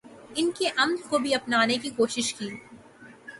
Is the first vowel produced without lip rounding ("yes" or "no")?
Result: yes